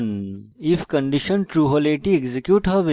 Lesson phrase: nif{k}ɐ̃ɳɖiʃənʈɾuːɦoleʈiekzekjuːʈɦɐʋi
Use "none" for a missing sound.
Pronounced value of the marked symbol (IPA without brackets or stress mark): k